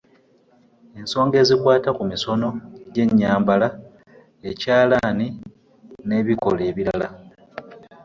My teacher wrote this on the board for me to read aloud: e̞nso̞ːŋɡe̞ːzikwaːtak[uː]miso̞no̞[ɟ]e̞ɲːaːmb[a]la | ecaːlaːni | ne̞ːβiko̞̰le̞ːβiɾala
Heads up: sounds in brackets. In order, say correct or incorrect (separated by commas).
incorrect, correct, correct